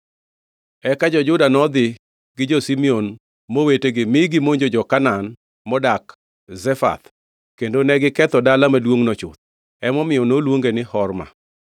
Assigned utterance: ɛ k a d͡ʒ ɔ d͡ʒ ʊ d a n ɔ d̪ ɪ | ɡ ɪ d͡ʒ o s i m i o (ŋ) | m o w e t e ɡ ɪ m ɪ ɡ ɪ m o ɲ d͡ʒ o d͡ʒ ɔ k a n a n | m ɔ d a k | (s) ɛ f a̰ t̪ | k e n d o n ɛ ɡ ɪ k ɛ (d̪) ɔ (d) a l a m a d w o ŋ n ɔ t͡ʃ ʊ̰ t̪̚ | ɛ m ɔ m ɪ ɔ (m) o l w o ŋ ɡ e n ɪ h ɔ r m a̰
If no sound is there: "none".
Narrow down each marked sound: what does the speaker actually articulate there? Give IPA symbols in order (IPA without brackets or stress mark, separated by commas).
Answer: n, z, t̪, d, n